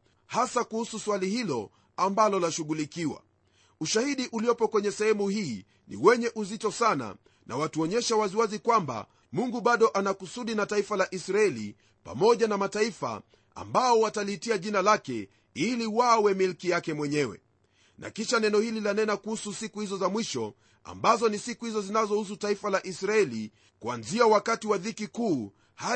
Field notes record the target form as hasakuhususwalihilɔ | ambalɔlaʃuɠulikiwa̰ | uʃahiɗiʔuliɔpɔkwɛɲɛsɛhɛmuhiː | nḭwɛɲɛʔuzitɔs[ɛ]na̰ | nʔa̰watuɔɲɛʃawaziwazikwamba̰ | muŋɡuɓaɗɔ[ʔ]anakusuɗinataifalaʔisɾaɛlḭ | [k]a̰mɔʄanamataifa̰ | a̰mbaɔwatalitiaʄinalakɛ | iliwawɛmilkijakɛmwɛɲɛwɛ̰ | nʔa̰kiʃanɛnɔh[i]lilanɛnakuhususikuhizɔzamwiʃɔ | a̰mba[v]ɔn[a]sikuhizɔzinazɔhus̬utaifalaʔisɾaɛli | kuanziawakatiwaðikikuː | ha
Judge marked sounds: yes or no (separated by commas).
no, yes, no, yes, no, no